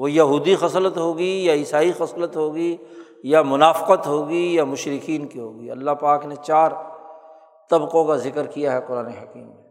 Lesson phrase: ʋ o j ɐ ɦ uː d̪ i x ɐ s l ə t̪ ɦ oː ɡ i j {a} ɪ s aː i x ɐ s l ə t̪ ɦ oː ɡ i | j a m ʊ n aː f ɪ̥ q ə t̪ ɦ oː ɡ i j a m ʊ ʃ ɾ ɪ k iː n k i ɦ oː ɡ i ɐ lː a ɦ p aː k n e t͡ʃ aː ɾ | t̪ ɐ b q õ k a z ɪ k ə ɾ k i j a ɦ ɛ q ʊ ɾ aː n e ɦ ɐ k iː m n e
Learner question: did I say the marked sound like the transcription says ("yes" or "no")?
yes